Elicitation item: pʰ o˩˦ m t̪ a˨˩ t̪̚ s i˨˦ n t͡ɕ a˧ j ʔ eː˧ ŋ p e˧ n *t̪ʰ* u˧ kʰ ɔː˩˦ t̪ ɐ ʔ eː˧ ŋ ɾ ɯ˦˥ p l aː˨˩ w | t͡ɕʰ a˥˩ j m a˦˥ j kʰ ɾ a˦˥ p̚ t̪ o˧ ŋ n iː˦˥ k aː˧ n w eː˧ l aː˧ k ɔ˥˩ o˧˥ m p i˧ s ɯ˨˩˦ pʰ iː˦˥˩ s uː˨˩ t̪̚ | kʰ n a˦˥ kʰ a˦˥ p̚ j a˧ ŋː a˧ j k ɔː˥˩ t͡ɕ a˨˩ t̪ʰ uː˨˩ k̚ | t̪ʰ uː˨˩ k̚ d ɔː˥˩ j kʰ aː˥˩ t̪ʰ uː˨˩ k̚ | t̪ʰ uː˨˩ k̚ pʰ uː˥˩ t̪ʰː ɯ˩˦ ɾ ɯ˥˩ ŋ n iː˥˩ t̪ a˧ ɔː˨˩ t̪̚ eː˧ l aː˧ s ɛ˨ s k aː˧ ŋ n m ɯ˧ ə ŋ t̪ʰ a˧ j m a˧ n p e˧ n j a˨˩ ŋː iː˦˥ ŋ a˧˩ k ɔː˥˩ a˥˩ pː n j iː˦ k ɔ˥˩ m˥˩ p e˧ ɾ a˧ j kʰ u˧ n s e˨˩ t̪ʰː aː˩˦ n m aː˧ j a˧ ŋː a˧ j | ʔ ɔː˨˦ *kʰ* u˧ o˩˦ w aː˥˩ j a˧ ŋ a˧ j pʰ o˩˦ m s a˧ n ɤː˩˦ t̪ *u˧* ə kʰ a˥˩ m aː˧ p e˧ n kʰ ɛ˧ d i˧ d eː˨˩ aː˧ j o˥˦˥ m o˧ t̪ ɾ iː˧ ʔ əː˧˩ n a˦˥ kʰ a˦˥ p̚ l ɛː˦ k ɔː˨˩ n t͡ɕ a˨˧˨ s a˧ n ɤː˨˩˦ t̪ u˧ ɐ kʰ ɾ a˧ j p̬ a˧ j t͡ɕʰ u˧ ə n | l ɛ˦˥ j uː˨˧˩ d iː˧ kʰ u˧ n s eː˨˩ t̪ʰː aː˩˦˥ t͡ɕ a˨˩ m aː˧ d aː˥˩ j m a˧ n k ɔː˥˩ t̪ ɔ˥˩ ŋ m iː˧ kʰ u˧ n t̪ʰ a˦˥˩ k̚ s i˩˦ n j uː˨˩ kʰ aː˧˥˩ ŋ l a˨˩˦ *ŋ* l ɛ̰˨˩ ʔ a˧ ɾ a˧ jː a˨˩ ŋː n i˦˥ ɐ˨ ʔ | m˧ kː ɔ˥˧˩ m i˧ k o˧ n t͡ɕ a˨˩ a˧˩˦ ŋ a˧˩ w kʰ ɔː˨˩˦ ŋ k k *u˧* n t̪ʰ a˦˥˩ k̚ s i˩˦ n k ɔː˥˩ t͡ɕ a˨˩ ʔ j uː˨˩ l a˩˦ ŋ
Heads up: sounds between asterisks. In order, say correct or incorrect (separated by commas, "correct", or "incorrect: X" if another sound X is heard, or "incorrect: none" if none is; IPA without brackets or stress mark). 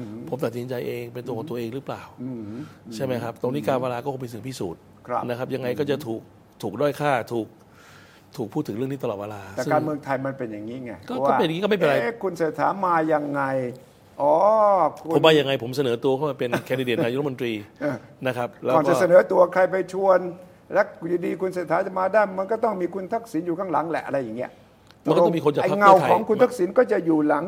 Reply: incorrect: t̪, correct, correct, correct, correct